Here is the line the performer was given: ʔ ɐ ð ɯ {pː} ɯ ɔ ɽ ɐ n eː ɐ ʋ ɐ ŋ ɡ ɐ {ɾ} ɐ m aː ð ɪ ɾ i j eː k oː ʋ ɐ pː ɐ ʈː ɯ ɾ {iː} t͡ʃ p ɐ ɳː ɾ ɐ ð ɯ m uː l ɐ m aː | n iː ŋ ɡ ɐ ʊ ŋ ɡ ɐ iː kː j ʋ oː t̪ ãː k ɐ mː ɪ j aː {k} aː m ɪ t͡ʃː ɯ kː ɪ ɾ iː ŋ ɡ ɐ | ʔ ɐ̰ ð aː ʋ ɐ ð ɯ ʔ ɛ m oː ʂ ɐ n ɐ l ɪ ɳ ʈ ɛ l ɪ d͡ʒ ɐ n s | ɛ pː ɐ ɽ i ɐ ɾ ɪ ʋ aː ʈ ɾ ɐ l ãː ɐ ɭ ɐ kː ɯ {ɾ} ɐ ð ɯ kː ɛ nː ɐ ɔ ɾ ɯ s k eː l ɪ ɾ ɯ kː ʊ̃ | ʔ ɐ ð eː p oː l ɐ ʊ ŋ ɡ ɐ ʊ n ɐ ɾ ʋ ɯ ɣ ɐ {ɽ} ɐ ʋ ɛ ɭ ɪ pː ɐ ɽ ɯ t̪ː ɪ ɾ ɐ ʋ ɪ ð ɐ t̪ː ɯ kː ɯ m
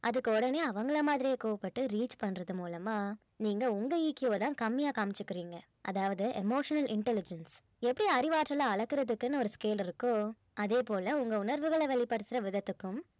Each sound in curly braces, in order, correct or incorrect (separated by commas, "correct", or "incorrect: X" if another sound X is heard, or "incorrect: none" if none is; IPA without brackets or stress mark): incorrect: kː, incorrect: ɭ, correct, correct, correct, incorrect: ɭ